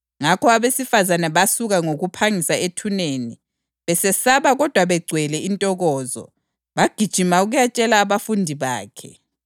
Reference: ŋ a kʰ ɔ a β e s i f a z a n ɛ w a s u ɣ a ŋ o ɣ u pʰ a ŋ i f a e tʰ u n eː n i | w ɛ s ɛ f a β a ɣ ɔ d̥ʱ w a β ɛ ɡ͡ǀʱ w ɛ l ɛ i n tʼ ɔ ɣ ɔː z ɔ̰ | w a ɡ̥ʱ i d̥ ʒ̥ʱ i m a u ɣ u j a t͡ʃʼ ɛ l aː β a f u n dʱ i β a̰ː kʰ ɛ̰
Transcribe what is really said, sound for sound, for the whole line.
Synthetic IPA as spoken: ŋ a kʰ ɔ a β e s i f a z a n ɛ β a s u ɣ a ŋ o ɣ u pʰ a ŋ i s a e tʰ u n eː n i | β ɛ s ɛ s a β a ɣ ɔ d̥ʱ w a β ɛ ɡ͡ǀʱ w ɛ l ɛ i n tʼ ɔ ɣ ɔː z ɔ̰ | β a ɡ̥ʱ i d̥ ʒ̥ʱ i m a u ɣ u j a t͡ʃʼ ɛ l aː β a f u n dʱ i β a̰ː kʰ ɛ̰